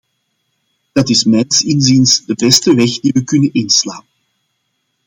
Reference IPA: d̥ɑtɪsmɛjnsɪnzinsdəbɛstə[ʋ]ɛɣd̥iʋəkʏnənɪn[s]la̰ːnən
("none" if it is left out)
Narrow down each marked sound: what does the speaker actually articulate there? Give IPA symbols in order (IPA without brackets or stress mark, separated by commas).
ʋ, s